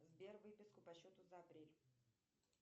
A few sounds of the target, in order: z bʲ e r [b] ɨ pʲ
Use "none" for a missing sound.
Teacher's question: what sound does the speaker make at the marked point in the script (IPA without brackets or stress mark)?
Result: v